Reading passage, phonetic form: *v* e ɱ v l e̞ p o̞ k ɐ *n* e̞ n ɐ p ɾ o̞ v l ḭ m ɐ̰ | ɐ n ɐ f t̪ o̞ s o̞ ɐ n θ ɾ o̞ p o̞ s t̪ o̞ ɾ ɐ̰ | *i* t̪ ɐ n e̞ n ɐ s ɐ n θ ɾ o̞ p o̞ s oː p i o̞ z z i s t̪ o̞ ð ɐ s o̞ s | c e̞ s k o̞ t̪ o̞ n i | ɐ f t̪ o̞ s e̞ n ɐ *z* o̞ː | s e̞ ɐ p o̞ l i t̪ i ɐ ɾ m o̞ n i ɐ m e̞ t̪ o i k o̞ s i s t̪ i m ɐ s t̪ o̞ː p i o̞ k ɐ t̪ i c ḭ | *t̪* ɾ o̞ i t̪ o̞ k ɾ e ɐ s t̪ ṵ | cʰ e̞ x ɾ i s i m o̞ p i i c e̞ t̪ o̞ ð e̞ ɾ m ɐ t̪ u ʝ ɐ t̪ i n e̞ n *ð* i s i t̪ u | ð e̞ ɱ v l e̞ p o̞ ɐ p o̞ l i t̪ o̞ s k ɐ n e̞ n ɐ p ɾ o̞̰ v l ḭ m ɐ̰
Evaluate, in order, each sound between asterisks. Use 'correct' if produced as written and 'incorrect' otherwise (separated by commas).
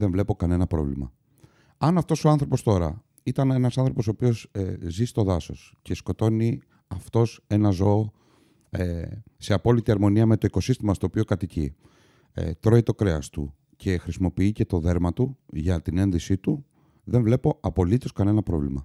incorrect, correct, correct, correct, correct, correct